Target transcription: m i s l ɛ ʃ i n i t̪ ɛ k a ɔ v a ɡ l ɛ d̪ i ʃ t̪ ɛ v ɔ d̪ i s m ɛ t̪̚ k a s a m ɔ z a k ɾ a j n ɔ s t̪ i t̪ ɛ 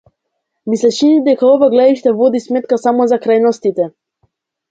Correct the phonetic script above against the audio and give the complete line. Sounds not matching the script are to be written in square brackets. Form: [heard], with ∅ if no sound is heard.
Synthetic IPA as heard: m i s l ɛ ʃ i n i [d̪] ɛ k a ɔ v a ɡ l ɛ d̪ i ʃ t̪ ɛ v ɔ d̪ i s m ɛ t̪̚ k a s a m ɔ z a k ɾ a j n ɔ s t̪ i t̪ ɛ